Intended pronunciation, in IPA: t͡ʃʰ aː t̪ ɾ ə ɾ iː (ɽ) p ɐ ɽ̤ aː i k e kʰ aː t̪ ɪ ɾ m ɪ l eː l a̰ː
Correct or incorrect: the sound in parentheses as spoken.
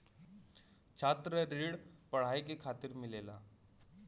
correct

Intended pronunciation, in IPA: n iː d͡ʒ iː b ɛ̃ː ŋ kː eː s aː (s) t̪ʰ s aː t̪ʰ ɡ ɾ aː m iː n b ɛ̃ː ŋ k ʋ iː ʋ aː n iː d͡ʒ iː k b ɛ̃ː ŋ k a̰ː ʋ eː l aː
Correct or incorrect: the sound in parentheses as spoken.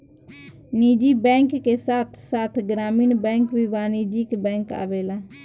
incorrect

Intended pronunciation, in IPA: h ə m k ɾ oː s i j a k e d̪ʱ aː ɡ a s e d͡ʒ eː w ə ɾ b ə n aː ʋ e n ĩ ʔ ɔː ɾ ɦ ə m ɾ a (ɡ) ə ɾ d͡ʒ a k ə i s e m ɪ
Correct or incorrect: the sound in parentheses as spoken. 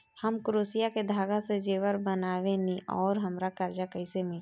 incorrect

